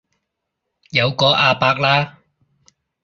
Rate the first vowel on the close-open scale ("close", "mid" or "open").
open